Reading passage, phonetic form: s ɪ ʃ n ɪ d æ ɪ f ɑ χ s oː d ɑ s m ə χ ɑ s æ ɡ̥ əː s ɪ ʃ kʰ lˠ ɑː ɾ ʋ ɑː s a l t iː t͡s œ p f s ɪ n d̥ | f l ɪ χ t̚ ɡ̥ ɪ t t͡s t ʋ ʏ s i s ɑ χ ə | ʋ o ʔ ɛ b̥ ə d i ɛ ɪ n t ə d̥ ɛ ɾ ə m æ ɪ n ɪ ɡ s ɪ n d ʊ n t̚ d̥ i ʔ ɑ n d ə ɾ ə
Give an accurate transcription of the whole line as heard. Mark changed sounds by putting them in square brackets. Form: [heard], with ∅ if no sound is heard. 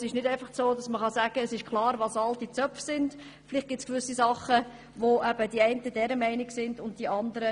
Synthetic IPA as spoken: s ɪ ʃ n ɪ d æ ɪ f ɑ χ s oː d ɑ s m ə χ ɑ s æ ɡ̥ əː s ɪ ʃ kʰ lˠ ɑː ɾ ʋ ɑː s [ɑ] l t [i] t͡s œ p f s ɪ n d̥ | f l ɪ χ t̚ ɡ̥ ɪ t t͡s [k] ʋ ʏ s i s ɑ χ ə | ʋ o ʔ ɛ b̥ ə d i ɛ ɪ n t ə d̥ ɛ ɾ ə m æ ɪ n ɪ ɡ s ɪ n d ʊ n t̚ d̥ i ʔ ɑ n d ə ɾ ə